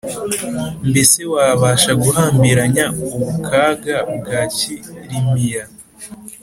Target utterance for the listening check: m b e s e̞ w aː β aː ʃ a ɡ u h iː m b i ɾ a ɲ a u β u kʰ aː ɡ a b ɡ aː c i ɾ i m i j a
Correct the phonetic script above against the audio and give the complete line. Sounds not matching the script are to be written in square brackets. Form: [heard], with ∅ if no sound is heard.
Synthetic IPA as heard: m b e s e̞ w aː β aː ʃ a ɡ u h [aː] m b i ɾ a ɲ a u β u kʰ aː ɡ a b ɡ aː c i ɾ i m i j a